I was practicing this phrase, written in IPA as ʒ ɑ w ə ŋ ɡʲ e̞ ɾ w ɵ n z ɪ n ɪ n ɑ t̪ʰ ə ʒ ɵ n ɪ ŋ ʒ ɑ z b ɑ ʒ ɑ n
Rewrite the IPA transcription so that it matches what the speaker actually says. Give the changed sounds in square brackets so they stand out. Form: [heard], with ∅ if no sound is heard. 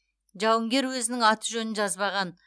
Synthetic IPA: ʒ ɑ w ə ŋ ɡʲ e̞ ɾ w ɵ [∅] z ɪ n ɪ [ŋ] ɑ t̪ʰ ə ʒ ɵ n ɪ [n] ʒ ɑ z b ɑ [ʁ] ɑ n